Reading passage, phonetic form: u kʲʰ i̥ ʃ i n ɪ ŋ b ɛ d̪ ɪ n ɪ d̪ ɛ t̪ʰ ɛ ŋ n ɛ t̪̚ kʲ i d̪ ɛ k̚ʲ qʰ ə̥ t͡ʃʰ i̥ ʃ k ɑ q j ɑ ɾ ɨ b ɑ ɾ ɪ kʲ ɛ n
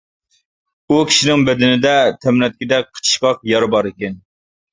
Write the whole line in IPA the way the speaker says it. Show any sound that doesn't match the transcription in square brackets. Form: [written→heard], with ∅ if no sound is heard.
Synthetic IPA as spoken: u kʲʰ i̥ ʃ i n ɪ ŋ b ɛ d̪ ɪ n ɪ d̪ ɛ t̪ʰ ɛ [ŋ→m] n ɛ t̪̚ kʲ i d̪ ɛ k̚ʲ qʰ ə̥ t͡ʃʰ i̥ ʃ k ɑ q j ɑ ɾ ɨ b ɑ ɾ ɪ kʲ ɛ n